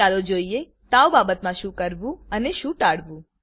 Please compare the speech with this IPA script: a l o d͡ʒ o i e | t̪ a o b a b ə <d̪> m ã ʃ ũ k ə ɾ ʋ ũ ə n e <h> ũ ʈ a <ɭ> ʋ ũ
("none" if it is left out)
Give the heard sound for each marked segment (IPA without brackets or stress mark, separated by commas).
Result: t̪, ʃ, ɽ